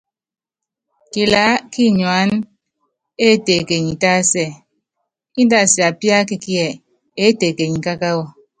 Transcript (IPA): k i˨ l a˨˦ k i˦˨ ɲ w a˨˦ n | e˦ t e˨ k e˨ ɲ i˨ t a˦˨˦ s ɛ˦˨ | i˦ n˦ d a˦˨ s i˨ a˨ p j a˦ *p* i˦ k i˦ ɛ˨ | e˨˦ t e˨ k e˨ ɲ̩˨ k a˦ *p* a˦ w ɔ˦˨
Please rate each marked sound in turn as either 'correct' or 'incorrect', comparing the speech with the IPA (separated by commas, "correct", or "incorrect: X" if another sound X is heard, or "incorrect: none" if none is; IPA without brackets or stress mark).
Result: incorrect: k, incorrect: k